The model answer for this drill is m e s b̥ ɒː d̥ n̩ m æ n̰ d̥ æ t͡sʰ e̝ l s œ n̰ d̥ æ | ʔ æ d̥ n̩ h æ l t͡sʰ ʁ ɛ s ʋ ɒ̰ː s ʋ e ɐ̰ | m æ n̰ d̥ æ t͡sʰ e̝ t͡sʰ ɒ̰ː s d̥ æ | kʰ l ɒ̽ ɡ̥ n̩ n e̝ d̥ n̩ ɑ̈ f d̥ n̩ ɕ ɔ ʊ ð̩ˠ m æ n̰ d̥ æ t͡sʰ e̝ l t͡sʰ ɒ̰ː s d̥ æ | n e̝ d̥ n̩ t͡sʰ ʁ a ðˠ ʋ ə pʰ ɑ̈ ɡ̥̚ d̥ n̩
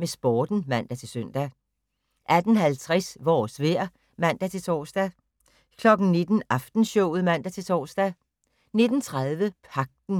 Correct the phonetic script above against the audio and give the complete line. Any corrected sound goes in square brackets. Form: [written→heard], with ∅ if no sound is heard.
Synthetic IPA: m e s b̥ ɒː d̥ n̩ m æ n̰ d̥ æ t͡sʰ e̝ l s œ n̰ d̥ æ | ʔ æ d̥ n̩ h æ l t͡sʰ ʁ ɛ s ʋ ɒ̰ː s ʋ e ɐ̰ | m æ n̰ d̥ æ t͡sʰ e̝ t͡sʰ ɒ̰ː s d̥ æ | kʰ l ɒ̽ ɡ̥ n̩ n e̝ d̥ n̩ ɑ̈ f d̥ n̩ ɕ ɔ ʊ ð̩ˠ m æ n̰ d̥ æ t͡sʰ e̝ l t͡sʰ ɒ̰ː s d̥ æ | n e̝ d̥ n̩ t͡sʰ ʁ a ðˠ ʋ ə pʰ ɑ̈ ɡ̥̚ d̥ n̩